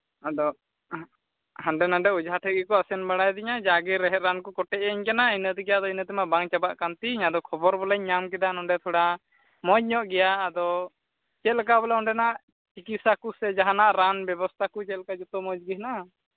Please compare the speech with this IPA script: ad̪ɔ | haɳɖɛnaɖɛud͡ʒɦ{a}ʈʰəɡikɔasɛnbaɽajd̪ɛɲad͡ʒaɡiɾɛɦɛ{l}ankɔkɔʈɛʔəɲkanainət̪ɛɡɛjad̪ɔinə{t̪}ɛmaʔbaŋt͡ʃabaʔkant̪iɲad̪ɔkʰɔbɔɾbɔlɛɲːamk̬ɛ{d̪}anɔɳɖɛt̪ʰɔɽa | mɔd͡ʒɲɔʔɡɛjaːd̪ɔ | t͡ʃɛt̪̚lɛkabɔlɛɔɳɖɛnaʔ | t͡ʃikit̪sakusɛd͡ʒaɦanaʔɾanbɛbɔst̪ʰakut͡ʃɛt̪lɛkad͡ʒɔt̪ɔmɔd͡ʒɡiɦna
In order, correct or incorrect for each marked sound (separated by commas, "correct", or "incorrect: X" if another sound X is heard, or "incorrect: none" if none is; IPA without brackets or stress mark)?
correct, incorrect: ɾ, correct, correct